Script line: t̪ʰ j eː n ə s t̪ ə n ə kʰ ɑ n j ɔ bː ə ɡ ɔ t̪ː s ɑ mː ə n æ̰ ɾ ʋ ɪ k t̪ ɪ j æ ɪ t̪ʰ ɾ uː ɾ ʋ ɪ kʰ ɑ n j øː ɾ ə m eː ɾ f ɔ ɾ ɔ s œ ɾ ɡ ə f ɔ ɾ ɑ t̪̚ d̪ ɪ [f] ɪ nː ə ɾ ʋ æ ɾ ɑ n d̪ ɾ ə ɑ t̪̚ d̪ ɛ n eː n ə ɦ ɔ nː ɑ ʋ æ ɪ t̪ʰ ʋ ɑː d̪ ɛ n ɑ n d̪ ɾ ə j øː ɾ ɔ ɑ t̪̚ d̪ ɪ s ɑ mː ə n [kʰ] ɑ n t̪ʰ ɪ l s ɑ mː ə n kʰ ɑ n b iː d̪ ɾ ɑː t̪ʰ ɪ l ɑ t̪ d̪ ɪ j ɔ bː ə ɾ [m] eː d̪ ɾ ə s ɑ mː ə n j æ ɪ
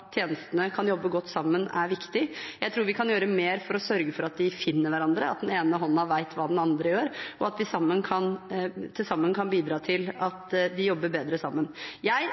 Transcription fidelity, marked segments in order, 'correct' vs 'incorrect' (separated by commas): correct, correct, incorrect